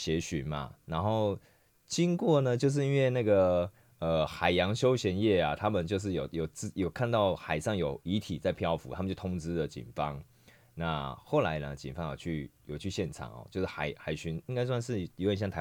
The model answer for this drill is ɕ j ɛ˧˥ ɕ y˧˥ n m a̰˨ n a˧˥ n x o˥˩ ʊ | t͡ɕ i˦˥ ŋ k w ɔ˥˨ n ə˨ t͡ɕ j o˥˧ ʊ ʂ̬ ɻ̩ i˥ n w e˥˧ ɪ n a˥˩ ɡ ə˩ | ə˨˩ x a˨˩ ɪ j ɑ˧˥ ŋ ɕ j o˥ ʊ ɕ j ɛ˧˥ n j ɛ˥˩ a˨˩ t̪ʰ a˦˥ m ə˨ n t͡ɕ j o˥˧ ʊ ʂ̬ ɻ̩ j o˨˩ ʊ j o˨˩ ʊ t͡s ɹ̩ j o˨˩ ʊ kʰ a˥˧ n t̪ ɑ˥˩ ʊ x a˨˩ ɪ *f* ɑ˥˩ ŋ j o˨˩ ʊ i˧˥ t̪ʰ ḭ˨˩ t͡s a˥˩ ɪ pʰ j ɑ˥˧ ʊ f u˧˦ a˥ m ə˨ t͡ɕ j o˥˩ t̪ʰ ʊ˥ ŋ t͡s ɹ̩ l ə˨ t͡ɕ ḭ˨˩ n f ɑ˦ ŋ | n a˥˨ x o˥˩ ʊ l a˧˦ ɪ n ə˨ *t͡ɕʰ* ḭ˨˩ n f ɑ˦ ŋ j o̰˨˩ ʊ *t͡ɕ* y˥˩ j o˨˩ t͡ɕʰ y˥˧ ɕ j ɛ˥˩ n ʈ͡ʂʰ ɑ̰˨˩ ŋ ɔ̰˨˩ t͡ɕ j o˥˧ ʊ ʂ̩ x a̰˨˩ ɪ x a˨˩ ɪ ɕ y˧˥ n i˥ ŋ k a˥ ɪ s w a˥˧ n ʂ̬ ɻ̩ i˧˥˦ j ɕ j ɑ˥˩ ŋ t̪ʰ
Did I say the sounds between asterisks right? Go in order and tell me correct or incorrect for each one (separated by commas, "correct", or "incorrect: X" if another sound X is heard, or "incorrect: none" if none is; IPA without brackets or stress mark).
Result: incorrect: ʂ, incorrect: t͡ɕ, incorrect: t͡ɕʰ